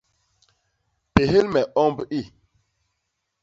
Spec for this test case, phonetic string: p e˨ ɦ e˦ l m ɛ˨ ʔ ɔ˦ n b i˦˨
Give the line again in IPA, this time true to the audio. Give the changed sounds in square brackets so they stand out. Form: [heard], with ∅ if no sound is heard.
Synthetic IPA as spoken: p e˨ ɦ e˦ l m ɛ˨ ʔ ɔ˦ [m] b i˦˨

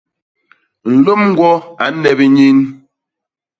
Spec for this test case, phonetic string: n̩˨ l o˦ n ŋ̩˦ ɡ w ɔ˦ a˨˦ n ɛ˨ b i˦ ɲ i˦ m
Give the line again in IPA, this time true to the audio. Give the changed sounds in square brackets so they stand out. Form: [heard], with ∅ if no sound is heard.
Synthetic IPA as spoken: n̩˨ l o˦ [m] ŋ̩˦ ɡ w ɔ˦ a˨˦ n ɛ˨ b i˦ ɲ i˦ [n]

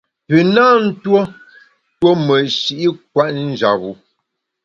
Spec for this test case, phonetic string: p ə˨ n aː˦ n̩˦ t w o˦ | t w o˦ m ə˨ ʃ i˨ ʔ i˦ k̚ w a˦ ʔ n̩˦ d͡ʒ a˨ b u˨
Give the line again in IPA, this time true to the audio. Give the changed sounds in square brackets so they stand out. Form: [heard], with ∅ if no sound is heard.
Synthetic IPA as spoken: p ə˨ n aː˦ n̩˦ t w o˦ | t w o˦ m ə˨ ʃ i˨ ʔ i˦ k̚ w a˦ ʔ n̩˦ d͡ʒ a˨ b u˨

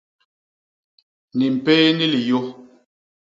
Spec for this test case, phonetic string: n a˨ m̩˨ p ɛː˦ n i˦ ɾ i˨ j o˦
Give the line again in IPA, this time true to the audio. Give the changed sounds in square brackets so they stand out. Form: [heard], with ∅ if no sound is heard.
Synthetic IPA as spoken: n [i˨] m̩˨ p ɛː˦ n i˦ [l] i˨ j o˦

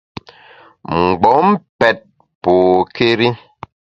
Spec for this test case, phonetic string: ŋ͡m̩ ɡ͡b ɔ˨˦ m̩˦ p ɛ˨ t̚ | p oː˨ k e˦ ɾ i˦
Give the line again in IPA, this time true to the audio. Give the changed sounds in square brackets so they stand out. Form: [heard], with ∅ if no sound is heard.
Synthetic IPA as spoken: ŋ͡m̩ ɡ͡b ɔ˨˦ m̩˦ p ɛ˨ t̚ | p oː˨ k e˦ ɾ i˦

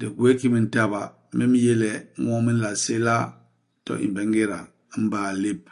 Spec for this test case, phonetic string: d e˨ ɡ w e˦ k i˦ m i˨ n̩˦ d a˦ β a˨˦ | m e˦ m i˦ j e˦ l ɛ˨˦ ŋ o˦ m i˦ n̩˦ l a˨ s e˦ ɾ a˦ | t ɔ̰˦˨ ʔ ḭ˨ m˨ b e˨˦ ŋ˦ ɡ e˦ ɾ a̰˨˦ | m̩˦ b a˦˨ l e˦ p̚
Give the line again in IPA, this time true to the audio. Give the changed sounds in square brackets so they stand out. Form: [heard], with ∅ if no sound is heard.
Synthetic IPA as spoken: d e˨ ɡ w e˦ k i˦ m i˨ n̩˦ [t] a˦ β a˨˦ | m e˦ m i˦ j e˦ l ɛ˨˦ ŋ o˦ m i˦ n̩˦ l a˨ s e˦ [l] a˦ | t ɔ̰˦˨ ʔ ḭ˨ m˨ b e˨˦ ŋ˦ ɡ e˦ ɾ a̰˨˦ | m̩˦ b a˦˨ l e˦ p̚

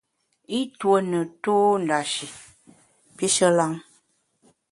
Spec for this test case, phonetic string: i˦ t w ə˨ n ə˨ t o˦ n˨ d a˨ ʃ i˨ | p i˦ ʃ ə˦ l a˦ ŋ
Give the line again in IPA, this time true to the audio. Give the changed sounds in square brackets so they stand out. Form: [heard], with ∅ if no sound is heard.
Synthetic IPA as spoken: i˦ t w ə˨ n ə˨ t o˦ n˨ d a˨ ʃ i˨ | p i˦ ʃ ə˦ l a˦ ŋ

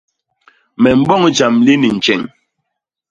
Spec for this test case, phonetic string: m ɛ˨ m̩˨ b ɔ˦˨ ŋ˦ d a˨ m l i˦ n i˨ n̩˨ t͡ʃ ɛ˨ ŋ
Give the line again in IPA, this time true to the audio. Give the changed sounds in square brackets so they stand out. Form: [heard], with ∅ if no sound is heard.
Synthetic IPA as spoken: m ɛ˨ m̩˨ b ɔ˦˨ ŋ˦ [d͡ʒ] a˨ m l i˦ n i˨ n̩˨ t͡ʃ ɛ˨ ŋ

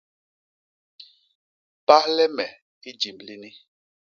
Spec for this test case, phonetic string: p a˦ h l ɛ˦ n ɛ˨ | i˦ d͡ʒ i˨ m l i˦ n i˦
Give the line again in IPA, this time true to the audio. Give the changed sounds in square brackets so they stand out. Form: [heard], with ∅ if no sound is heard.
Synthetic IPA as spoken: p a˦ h l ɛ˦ [m] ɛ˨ | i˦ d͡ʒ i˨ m l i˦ n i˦

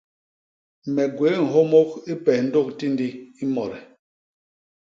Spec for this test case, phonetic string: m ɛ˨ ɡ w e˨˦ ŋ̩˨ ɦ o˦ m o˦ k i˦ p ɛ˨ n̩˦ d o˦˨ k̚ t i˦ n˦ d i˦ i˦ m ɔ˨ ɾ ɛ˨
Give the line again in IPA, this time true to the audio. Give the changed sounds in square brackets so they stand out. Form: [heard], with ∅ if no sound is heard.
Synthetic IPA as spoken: m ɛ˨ ɡ w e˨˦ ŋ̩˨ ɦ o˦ m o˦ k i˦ p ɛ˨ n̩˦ d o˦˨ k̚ t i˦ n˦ d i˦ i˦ m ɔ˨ ɾ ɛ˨

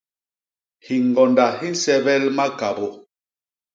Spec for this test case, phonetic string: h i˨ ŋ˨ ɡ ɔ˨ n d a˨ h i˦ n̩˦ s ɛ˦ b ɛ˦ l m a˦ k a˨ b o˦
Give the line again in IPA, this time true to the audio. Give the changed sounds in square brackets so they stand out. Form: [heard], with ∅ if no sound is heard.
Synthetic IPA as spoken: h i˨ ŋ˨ ɡ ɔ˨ n d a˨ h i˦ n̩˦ s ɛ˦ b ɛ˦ l m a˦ k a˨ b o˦

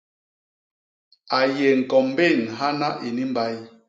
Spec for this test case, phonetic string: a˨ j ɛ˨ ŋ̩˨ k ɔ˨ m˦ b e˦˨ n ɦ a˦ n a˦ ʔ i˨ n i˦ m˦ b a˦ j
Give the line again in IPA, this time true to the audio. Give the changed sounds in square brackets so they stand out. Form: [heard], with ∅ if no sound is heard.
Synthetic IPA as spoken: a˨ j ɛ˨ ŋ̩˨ k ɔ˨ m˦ b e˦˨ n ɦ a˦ n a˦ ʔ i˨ n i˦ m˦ b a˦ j

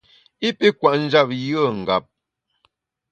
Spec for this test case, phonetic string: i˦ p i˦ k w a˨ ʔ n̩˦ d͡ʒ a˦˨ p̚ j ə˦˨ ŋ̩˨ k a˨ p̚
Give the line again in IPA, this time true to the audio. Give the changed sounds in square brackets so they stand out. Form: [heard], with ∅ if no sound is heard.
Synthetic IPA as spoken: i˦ p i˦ k w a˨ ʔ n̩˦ d͡ʒ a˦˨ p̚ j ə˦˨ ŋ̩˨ [ɡ] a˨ p̚

